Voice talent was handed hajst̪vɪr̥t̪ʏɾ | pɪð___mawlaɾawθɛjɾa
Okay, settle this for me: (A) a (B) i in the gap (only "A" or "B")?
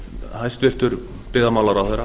A